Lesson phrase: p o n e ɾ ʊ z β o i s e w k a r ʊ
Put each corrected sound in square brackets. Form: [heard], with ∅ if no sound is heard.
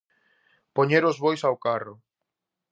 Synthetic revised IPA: p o [ɲ] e ɾ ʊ z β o [j] s [a] w k a r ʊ